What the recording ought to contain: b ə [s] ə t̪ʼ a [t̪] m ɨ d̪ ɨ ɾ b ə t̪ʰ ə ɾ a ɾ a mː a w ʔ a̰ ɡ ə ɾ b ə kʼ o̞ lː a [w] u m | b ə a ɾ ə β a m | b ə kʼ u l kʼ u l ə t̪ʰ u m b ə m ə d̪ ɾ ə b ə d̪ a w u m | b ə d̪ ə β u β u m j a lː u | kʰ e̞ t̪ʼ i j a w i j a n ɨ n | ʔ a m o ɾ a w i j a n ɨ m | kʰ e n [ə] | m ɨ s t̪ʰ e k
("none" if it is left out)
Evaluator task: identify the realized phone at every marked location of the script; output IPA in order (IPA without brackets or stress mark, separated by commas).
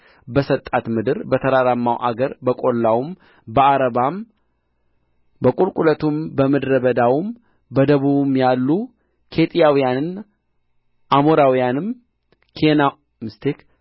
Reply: s, t̪, w, a